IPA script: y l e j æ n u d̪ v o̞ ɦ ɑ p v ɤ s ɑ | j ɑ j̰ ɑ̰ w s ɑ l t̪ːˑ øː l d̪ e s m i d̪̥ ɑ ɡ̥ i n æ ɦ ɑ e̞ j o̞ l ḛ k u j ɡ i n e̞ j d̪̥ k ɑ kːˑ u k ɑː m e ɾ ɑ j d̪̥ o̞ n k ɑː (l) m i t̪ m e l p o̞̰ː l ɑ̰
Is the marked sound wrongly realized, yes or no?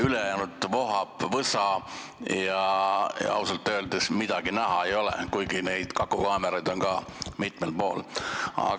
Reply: yes